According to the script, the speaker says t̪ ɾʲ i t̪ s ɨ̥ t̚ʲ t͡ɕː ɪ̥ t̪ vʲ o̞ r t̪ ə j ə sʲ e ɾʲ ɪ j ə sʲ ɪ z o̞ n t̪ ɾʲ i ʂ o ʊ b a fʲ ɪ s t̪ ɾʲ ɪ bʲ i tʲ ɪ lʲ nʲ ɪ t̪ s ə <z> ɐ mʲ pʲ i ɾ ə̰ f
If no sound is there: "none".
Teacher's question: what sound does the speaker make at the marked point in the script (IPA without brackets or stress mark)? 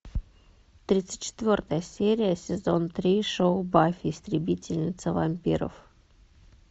v